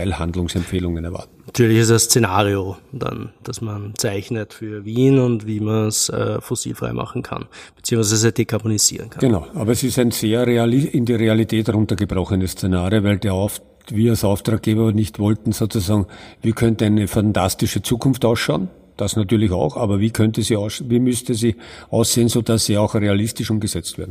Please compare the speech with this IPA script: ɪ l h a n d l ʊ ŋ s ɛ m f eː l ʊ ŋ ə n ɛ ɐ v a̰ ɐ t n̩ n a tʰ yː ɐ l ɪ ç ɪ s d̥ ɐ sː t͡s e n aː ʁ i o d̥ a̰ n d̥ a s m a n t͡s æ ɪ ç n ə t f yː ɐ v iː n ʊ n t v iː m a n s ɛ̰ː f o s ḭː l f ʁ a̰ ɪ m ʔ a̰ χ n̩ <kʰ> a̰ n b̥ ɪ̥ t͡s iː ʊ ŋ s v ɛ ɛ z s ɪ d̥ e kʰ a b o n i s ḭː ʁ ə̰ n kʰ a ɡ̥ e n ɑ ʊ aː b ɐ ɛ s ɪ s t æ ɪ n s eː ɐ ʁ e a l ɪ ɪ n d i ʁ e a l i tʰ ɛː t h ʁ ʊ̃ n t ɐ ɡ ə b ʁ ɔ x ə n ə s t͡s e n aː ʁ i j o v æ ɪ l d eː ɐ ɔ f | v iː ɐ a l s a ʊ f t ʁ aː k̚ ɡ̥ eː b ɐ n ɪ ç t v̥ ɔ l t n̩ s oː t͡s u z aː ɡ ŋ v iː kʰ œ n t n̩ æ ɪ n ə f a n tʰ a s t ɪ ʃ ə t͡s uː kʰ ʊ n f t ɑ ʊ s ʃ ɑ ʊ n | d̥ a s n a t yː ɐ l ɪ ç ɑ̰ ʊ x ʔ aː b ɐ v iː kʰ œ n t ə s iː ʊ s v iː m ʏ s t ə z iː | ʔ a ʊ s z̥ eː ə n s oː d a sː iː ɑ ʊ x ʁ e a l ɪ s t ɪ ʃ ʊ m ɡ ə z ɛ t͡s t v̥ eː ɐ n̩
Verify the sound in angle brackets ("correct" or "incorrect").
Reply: correct